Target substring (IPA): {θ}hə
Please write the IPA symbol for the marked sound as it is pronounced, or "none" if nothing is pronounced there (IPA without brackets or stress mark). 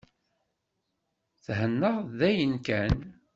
θ